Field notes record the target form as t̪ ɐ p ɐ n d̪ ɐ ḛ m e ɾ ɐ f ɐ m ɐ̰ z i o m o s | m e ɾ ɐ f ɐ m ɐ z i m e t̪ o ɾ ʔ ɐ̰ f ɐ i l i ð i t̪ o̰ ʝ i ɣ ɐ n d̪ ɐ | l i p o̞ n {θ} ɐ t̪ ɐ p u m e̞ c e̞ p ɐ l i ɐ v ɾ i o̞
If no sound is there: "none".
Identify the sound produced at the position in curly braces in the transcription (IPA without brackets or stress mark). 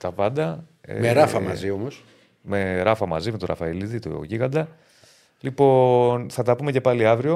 θ